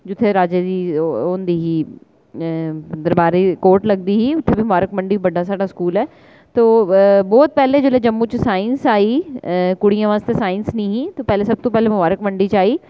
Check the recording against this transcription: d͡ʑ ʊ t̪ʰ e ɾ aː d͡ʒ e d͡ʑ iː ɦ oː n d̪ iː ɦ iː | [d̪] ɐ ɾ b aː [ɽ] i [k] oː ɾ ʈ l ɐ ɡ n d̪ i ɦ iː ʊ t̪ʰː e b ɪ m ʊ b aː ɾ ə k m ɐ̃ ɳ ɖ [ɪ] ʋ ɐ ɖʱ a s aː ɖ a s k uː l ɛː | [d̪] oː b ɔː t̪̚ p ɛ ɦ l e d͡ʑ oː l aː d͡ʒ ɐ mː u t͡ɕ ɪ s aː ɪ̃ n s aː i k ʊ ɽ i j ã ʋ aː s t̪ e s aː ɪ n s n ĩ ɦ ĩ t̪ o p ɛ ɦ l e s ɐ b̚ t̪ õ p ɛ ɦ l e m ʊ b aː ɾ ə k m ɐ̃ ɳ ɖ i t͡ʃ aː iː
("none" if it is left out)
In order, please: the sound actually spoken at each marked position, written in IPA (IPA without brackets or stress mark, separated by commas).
d̪, ɾ, k, i, t̪